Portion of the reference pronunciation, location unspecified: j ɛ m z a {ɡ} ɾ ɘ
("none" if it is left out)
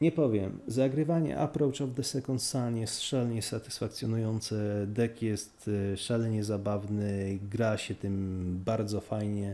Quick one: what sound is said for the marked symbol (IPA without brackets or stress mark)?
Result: ɡ